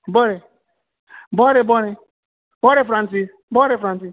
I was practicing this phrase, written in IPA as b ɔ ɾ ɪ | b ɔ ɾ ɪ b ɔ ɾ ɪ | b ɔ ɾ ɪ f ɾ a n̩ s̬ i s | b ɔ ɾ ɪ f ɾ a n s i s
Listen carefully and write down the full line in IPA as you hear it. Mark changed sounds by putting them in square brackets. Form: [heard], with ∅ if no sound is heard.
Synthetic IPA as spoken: b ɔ ɾ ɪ | b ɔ ɾ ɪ b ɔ ɾ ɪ | b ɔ ɾ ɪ f ɾ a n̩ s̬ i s | b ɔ ɾ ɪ f ɾ a n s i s